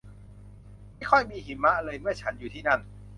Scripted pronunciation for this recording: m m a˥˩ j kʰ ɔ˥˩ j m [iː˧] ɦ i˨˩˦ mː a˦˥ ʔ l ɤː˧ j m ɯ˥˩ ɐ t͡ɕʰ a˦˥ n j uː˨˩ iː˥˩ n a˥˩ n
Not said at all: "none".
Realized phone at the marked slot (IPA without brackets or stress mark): iː˧